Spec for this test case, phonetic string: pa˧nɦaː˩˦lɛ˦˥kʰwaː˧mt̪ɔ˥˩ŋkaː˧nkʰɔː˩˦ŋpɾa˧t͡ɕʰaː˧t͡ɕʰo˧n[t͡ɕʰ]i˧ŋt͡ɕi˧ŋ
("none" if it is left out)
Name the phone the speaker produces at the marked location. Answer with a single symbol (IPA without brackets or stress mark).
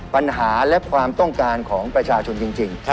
t͡ɕ